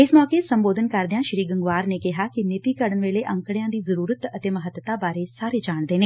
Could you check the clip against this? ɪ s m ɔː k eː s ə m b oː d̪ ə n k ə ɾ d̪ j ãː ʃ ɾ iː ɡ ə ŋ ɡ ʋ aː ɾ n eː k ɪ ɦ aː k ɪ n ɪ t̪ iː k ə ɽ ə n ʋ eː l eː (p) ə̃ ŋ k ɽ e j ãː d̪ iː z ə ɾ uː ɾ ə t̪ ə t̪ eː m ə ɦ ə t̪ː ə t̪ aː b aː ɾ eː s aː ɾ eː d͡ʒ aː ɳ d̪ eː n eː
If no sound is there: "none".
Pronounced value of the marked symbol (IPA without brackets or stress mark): ʔ